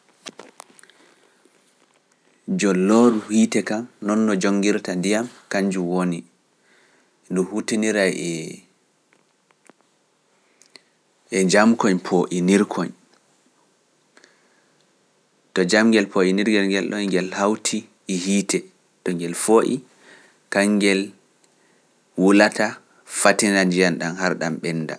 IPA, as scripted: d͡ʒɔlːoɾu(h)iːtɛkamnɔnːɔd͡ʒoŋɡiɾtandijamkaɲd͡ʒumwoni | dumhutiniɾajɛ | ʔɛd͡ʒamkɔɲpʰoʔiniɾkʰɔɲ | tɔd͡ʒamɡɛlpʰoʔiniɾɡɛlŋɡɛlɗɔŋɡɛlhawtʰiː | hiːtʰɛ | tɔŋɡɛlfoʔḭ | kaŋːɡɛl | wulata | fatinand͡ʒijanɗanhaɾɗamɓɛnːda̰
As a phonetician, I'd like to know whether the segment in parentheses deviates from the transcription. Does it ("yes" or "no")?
no